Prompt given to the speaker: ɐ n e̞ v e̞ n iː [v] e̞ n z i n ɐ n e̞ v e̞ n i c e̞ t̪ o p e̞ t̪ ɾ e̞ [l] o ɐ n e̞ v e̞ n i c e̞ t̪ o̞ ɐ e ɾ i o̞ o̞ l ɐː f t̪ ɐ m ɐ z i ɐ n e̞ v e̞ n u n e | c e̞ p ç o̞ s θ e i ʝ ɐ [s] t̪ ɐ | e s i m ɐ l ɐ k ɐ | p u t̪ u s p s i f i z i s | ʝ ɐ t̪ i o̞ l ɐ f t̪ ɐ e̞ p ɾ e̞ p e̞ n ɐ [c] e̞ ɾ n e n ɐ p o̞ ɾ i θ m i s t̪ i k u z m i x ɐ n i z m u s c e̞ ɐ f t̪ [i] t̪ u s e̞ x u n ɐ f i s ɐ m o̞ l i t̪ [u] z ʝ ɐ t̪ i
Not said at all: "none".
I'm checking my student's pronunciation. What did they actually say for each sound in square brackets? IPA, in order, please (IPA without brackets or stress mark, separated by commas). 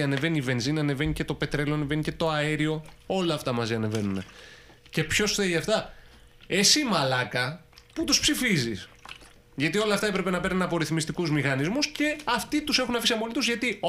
v, l, f, p, i, u